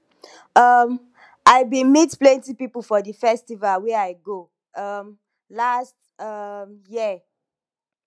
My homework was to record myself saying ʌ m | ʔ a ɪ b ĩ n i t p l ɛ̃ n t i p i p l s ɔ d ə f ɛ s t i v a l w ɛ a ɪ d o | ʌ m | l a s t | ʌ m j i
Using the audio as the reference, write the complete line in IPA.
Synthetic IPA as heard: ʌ m | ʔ a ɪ b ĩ m i t p l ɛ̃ n t i p i p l f ɔ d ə f ɛ s t i v a l w ɛ a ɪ ɡ o | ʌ m | l a s t | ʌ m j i